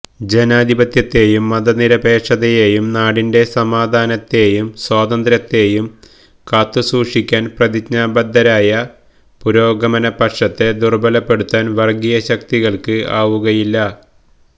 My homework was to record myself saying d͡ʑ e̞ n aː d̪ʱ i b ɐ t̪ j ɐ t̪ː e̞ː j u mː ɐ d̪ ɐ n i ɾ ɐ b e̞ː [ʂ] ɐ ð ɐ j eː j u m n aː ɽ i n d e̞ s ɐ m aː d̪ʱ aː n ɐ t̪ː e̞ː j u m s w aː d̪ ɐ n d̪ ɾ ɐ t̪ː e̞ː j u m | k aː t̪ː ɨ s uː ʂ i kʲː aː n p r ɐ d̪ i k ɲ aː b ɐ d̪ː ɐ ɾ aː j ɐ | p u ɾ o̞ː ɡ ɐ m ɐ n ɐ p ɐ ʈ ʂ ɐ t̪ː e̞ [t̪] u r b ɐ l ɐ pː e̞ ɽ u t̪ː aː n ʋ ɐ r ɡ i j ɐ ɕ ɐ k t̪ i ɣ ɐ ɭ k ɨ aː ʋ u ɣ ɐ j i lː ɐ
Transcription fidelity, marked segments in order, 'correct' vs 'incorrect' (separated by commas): correct, incorrect